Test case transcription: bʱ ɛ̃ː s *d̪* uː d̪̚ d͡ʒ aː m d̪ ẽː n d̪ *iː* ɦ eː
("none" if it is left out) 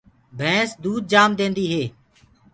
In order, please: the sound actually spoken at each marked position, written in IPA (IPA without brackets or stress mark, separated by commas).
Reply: d̪, iː